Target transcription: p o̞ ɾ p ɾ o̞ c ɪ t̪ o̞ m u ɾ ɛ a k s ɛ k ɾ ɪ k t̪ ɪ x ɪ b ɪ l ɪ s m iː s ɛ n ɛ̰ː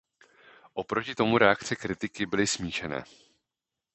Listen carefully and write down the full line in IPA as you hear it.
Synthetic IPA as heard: ʔ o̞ p ɾ o̞ c ɪ t̪ o̞ m u ɾ ɛ a k t͡s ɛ k ɾ ɪ t̪ ɪ k ɪ b ɪ l ɪ s m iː ʃ ɛ n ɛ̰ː

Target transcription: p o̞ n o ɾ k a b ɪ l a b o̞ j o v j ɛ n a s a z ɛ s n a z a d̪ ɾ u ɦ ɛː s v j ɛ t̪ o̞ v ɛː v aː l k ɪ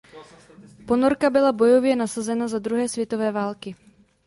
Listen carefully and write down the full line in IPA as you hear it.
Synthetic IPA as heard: p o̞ n o ɾ k a b ɪ l a b o̞ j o v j ɛ n a s a z ɛ n a z a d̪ ɾ u ɦ ɛː s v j ɛ t̪ o̞ v ɛː v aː l k ɪ

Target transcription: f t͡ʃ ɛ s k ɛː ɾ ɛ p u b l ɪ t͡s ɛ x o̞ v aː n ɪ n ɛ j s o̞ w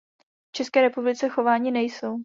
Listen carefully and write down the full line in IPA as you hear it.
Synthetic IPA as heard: f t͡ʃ ɛ s k ɛː ɾ ɛ p u b l ɪ t͡s ɛ x o̞ v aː ɲ ɪ n ɛ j s o̞ w

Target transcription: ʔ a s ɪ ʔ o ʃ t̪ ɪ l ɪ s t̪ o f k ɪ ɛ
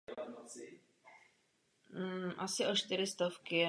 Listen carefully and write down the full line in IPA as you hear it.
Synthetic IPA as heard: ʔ a s ɪ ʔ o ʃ t̪ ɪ ɾ ɪ s t̪ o f k ɪ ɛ

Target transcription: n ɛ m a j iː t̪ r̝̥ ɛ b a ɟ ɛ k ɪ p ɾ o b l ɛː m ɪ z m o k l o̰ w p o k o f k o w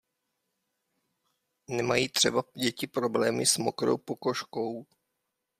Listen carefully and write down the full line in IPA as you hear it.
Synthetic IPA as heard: n ɛ m a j iː t̪ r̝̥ ɛ b a ɟ ɛ c ɪ p ɾ o b l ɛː m ɪ s m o k ɾ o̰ w p o k o ʃ k o w

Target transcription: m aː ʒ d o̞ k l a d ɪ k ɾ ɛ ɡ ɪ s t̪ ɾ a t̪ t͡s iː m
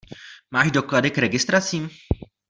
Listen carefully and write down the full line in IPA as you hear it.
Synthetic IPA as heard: m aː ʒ d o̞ k l a d ɪ k ɾ ɛ ɡ ɪ s t̪ ɾ a t͡s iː m

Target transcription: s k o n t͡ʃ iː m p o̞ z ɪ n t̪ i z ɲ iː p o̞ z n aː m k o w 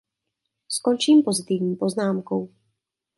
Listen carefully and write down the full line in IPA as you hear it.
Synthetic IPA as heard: s k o n t͡ʃ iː m p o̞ z ɪ t̪ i v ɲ iː p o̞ z n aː m k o w

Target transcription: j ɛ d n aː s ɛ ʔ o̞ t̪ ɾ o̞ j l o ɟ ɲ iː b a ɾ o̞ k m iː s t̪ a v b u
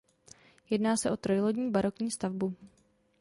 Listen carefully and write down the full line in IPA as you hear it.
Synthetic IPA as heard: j ɛ d n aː s ɛ ʔ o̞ t̪ ɾ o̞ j l o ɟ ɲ iː b a ɾ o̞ k ɲ iː s t̪ a v b u

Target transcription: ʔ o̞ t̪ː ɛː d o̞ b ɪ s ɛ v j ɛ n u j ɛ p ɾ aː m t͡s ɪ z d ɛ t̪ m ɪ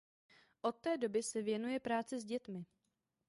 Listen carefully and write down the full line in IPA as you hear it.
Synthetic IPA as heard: ʔ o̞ t̪ː ɛː d o̞ b ɪ s ɛ v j ɛ n u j ɛ p ɾ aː t͡s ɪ z ɟ ɛ t̪ m ɪ

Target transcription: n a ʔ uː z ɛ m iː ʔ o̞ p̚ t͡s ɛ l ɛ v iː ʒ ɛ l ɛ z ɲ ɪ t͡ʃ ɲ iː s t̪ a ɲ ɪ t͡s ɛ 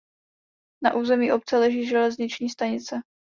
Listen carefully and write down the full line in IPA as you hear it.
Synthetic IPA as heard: n a ʔ uː z ɛ m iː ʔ o̞ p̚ t͡s ɛ l ɛ ʒ iː ʒ ɛ l ɛ z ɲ ɪ t͡ʃ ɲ iː s t̪ a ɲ ɪ t͡s ɛ

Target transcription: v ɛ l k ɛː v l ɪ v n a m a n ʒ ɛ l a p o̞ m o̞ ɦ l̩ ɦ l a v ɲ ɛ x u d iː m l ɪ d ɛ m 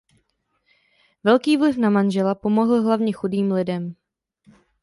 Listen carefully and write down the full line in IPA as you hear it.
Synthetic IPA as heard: v ɛ l k iː v l ɪ f n a m a n ʒ ɛ l a p o̞ m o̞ ɦ l̩ ɦ l a v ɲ ɛ x u d iː m l ɪ d ɛ m

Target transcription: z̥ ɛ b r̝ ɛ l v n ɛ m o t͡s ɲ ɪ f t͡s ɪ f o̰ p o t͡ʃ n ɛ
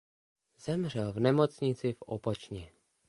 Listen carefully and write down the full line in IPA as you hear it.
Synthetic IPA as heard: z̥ ɛ m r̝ ɛ l v n ɛ m o t͡s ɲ ɪ t͡s ɪ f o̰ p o t͡ʃ ɲ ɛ

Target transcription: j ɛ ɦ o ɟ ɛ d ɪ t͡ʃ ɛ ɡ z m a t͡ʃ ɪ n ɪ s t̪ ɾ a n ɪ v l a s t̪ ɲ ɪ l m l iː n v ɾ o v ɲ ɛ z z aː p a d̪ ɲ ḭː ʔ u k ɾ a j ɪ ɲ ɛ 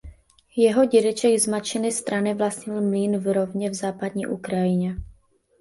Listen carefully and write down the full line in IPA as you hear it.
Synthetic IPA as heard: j ɛ ɦ o ɟ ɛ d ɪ t͡ʃ ɛ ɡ z m a t͡ʃ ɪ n ɪ s t̪ ɾ a n ɪ v l a s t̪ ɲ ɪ l m l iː n v ɾ o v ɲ ɛ v z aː p a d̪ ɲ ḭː ʔ u k ɾ a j ɪ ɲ ɛ

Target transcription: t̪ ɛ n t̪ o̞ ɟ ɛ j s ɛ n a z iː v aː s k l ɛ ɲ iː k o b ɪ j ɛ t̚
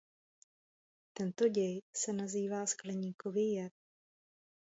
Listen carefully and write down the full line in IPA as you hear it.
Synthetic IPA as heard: t̪ ɛ n t̪ o̞ ɟ ɛ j s ɛ n a z iː v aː s k l ɛ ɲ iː k o v ɪ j ɛ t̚

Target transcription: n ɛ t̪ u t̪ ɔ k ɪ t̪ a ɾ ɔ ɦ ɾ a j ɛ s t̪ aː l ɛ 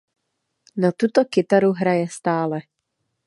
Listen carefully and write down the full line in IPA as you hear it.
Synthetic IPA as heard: n a t̪ u t̪ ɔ k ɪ t̪ a ɾ u ɦ ɾ a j ɛ s t̪ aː l ɛ

